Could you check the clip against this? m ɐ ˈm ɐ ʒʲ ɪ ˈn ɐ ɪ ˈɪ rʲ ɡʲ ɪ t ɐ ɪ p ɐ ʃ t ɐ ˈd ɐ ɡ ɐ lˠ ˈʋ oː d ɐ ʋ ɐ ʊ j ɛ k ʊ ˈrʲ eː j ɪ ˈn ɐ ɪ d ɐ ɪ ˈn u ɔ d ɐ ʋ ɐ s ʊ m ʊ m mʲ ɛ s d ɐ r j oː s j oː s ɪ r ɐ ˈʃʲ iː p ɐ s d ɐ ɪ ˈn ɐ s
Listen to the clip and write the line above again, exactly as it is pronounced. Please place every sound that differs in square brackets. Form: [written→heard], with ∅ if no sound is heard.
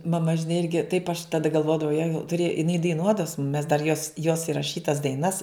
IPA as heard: m ɐ ˈm ɐ ʒʲ ɪ ˈn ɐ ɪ ˈɪ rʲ ɡʲ ɪ t ɐ ɪ p ɐ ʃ t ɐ ˈd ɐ ɡ ɐ lˠ ˈʋ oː d ɐ ʋ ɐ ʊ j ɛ [k→t] ʊ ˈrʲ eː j ɪ ˈn ɐ ɪ d ɐ ɪ ˈn u ɔ d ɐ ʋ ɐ s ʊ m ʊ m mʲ ɛ s d ɐ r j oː s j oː s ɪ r ɐ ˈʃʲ iː [p→t] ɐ s d ɐ ɪ ˈn ɐ s